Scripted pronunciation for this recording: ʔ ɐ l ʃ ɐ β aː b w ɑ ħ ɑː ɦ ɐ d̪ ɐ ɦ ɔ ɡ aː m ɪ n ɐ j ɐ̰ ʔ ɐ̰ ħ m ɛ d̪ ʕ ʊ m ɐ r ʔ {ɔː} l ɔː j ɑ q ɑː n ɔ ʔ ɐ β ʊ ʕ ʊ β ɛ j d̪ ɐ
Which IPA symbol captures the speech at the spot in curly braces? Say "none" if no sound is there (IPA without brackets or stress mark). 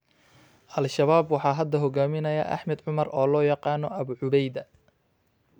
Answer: ɔː